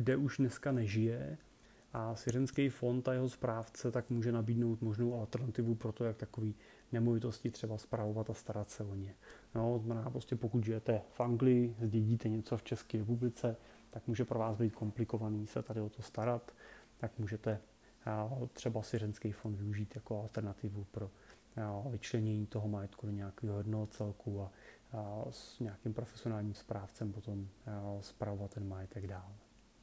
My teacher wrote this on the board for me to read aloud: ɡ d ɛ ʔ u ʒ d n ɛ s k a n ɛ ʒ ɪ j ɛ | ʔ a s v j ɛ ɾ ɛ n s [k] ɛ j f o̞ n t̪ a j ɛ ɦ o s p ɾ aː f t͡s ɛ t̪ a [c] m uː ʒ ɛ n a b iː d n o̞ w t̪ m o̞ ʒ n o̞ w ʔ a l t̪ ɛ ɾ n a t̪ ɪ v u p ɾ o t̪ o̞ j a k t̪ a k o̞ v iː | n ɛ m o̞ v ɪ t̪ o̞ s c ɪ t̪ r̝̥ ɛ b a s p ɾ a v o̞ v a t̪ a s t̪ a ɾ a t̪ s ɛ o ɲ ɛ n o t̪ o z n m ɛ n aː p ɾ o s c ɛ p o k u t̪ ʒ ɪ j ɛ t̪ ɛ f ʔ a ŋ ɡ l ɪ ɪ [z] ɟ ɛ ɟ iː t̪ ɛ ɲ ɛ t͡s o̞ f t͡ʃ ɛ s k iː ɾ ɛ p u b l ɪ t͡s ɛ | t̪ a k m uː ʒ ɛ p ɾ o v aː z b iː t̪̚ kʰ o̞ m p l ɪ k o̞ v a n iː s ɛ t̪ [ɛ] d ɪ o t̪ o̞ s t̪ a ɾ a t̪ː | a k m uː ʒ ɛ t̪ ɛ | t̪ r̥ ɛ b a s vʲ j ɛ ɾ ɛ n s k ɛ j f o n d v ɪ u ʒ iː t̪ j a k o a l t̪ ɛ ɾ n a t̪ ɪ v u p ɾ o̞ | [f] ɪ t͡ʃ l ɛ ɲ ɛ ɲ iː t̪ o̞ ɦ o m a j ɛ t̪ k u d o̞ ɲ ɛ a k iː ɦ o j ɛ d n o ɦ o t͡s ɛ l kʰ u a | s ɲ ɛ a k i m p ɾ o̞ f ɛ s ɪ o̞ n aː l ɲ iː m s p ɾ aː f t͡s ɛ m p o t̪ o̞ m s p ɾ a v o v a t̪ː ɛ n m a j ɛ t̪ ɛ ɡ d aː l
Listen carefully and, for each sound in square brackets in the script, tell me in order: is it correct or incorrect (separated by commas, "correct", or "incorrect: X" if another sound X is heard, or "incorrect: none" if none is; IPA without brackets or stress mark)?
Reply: correct, incorrect: k, correct, incorrect: a, incorrect: v